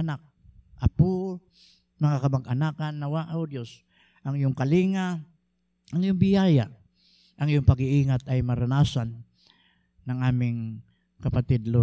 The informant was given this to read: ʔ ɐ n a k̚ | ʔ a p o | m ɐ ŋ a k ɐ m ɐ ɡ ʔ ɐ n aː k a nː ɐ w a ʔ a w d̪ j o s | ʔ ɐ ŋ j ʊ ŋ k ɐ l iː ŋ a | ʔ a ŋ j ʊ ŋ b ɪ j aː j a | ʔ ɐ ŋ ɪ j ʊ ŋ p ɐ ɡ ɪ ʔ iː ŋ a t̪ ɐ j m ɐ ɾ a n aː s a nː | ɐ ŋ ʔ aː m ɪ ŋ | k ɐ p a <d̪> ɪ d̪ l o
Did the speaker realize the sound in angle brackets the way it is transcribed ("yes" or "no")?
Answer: no